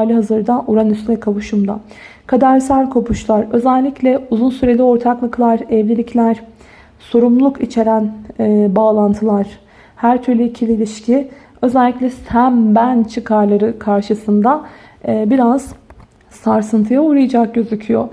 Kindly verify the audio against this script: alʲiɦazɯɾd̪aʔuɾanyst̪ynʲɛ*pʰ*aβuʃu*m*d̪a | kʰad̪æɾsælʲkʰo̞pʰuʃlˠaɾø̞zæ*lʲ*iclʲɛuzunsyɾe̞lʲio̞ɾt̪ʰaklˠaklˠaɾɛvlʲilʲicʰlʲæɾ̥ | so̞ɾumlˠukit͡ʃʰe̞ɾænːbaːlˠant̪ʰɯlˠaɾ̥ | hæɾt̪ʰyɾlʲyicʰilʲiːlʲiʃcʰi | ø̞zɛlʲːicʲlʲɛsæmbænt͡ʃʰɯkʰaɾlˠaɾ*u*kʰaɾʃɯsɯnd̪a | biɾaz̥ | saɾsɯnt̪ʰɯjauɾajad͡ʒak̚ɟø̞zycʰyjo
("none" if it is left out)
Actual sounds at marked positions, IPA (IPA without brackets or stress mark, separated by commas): kʰ, m, lʲː, ɯ